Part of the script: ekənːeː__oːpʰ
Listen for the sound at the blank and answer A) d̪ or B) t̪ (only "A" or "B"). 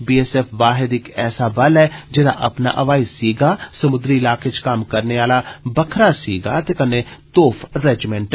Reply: B